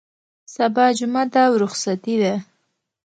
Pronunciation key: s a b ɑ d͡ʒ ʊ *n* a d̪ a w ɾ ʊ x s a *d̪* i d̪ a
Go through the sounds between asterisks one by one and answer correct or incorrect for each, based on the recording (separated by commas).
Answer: incorrect, incorrect